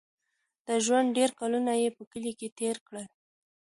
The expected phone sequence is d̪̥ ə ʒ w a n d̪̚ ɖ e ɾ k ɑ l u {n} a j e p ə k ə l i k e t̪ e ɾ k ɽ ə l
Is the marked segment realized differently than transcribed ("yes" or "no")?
no